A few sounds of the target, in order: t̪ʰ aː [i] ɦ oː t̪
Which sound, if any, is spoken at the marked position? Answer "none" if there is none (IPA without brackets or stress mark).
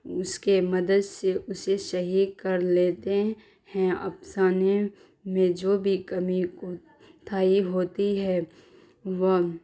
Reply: i